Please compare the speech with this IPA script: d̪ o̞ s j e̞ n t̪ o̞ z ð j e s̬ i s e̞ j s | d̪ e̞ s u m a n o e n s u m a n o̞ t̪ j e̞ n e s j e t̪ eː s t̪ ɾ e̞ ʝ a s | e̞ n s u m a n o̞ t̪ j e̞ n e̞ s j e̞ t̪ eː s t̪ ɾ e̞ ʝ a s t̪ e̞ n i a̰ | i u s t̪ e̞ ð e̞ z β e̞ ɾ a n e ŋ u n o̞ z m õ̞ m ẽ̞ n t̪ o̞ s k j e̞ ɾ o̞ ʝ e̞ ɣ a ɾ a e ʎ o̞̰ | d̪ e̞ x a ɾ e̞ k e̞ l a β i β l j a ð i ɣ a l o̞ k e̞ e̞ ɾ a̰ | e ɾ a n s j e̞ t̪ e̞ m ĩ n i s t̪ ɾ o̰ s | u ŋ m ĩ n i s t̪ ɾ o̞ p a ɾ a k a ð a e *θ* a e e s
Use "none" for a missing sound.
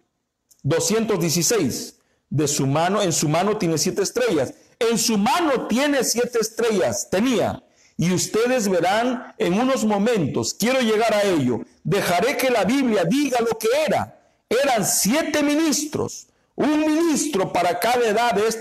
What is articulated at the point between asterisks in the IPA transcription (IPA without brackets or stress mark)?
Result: ð